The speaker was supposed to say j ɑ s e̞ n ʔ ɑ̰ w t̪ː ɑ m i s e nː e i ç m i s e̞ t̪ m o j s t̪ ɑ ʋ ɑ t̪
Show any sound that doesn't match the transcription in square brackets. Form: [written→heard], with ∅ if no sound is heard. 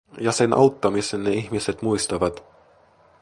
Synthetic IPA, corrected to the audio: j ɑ s e̞ n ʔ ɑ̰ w t̪ː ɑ m i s e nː e i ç m i s e̞ t̪ m [o→u] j s t̪ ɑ ʋ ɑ t̪